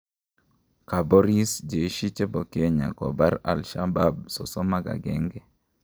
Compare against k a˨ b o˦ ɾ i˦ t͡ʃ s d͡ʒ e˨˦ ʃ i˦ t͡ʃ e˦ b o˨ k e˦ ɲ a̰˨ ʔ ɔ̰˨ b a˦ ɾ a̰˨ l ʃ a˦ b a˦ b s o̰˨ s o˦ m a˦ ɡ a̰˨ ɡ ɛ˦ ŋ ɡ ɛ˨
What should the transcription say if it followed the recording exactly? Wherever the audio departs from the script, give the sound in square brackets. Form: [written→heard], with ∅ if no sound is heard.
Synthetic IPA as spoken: k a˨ b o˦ ɾ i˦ [t͡ʃ→∅] s d͡ʒ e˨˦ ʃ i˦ t͡ʃ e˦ b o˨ k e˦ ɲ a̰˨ [ʔ→k] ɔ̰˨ b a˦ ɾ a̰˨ l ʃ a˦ b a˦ b s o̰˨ s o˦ m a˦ ɡ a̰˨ ɡ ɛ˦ ŋ ɡ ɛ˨